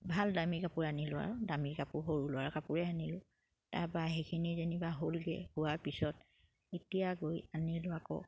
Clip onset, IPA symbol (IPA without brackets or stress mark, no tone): bʱ